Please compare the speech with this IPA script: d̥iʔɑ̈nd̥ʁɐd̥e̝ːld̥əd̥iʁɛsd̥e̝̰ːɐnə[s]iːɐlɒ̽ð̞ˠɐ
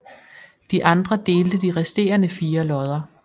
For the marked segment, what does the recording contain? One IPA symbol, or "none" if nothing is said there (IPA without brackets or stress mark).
f